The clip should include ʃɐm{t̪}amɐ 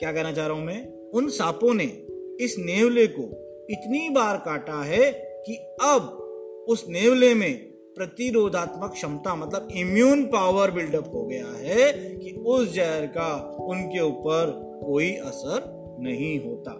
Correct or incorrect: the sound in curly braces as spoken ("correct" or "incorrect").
correct